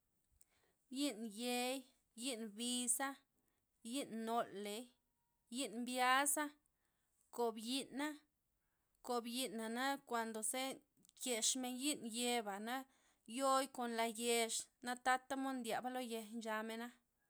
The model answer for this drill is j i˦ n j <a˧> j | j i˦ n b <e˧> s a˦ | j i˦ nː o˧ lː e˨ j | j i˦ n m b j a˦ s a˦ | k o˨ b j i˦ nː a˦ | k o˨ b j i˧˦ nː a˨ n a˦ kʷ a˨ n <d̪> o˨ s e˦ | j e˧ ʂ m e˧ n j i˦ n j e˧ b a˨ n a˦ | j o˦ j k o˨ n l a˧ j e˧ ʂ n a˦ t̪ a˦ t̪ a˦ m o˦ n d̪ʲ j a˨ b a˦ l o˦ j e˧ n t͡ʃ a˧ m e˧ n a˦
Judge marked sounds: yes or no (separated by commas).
no, no, yes